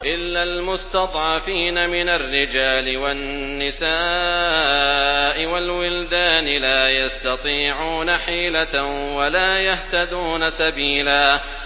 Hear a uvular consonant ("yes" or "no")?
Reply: no